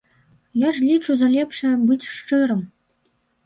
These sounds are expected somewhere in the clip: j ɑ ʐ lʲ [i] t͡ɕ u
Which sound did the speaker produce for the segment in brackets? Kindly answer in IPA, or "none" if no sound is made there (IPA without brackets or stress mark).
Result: i